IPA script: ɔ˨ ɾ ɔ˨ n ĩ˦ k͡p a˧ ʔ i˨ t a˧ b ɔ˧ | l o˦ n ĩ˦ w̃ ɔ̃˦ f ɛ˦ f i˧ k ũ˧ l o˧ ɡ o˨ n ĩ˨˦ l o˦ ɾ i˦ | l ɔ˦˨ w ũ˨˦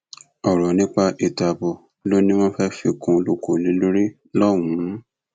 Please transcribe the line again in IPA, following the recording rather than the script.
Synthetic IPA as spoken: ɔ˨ ɾ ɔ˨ n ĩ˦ k͡p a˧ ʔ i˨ t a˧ b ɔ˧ | l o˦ n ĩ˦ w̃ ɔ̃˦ f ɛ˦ f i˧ k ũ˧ l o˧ k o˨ n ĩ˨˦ l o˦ ɾ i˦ | l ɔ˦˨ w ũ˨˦